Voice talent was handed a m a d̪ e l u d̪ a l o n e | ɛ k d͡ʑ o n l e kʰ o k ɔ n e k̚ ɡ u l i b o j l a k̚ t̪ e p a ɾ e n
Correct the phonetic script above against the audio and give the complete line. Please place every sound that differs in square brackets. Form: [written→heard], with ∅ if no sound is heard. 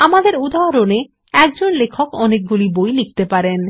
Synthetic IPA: a m a d̪ e [l→ɾ] u d̪ a [l→ɾ] o n e | ɛ k d͡ʑ o n l e kʰ o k ɔ n e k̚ ɡ u l i b o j l [a→i] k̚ t̪ e p a ɾ e n